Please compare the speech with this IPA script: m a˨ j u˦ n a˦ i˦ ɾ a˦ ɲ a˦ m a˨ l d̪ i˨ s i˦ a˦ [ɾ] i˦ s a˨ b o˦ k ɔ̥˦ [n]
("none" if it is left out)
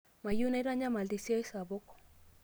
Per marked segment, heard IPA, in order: none, none

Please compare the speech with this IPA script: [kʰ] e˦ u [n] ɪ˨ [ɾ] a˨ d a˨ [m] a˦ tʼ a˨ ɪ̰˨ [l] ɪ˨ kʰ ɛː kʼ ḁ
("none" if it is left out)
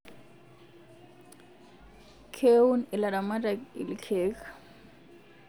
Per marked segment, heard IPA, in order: kʰ, n, l, m, l

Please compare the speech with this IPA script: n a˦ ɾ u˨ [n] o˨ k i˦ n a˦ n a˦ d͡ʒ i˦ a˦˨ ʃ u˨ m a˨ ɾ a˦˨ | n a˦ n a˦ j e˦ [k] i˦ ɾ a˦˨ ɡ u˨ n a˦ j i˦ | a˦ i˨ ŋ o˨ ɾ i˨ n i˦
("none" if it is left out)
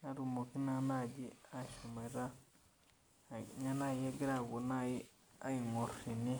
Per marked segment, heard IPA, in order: m, ɡ

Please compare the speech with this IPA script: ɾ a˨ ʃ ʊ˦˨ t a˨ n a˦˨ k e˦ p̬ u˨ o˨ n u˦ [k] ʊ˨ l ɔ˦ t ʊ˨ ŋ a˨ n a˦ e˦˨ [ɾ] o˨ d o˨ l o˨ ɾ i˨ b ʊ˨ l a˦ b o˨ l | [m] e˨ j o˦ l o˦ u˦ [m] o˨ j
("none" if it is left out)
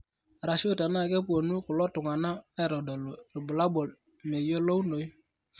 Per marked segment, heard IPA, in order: k, ɾ, m, n

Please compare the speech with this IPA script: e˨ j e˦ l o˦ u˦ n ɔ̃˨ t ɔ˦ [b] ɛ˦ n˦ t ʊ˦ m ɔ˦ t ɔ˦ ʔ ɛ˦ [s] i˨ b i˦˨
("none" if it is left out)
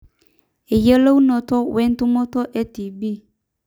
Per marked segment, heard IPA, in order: w, t

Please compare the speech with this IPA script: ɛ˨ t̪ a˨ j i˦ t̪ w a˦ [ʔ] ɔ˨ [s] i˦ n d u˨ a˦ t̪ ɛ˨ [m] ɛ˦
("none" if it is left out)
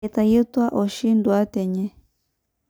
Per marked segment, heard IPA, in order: ʔ, ʃ, ɲ

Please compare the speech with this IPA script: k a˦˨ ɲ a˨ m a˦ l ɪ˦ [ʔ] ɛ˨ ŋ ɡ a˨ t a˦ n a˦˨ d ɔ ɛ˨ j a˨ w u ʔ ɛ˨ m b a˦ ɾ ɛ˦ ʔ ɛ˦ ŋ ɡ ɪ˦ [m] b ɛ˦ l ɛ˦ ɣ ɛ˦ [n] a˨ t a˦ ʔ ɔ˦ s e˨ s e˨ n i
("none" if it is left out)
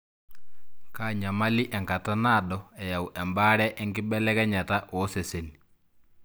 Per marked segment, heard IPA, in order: ʔ, none, ɲ

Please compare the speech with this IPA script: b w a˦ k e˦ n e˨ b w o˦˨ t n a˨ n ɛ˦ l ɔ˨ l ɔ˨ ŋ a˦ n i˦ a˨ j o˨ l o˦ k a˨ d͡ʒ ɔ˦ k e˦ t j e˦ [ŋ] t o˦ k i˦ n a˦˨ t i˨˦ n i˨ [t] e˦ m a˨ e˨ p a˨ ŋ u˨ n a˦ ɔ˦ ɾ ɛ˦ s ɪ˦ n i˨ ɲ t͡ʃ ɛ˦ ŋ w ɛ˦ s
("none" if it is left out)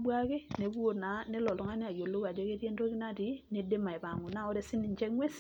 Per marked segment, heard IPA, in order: n, d

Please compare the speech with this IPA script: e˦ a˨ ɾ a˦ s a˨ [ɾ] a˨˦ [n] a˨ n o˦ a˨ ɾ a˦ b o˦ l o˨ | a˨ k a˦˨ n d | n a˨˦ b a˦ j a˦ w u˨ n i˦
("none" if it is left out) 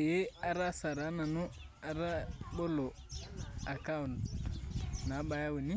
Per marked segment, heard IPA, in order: ɾ, n

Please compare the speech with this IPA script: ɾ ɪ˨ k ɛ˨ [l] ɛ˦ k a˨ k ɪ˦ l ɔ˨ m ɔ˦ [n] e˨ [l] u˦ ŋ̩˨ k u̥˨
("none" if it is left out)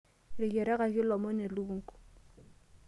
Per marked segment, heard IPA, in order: ɾ, n, l

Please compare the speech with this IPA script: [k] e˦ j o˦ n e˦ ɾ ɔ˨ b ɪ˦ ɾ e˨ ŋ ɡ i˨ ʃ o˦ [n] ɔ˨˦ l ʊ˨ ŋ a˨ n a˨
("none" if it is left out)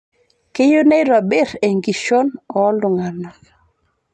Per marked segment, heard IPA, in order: k, n

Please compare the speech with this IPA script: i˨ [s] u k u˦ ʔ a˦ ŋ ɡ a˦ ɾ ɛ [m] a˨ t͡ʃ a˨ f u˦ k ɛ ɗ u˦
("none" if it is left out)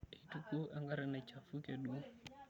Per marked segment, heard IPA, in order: t, n

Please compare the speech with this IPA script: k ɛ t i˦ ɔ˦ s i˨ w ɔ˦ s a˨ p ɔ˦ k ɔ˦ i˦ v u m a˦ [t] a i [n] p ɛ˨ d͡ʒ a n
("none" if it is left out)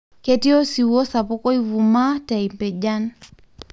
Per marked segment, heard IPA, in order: t, m

